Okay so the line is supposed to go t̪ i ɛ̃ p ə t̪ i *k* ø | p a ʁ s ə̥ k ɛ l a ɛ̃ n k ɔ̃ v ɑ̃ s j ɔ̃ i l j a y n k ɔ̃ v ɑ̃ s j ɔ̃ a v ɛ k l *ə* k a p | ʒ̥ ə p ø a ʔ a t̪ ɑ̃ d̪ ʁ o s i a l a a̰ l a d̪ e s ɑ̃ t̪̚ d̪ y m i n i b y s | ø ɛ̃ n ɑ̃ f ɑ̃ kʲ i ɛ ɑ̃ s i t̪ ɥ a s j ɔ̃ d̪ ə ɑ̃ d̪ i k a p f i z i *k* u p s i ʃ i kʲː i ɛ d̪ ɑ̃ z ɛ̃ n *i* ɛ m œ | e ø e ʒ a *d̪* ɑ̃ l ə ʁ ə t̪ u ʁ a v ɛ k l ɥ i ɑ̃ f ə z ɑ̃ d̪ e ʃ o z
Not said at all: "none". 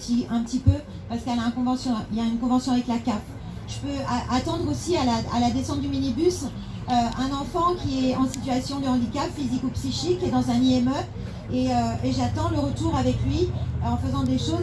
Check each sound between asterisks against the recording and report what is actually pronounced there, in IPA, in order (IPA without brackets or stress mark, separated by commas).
p, a, k, i, t̪